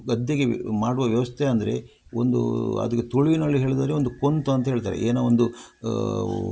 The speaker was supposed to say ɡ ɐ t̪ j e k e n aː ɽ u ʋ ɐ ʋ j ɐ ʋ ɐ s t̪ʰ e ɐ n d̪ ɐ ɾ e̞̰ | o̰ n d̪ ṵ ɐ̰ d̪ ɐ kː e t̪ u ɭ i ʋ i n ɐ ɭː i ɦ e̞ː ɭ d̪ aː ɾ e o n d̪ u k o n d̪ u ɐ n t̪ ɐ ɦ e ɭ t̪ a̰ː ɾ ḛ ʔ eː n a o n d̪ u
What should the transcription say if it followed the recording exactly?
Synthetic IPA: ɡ ɐ d̪ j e ɡ e m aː ɽ u ʋ ɐ ʋ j ɐ ʋ ɐ s t̪ʰ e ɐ n d̪ ɐ ɾ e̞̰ | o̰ n d̪ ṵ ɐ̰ d̪ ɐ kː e t̪ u ɭ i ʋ i n ɐ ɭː i ɦ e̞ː ɭ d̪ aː ɾ e o n d̪ u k o n t̪ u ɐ n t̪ ɐ ɦ e ɭ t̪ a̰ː ɾ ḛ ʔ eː n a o n d̪ u

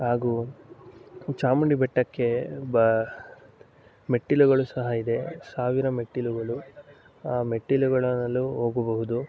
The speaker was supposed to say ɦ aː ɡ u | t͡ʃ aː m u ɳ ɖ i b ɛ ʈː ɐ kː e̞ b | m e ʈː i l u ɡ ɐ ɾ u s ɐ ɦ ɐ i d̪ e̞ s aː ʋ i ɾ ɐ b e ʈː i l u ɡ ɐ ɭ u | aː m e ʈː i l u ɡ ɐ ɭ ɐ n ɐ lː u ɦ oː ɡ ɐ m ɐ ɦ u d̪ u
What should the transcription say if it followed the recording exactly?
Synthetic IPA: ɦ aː ɡ u | t͡ʃ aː m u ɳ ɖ i b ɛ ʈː ɐ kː e̞ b | m e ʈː i l u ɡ ɐ ɭ u s ɐ ɦ ɐ i d̪ e̞ s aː ʋ i ɾ ɐ m e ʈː i l u ɡ ɐ ɭ u | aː m e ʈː i l u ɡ ɐ ɭ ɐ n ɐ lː u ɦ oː ɡ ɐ b ɐ ɦ u d̪ u

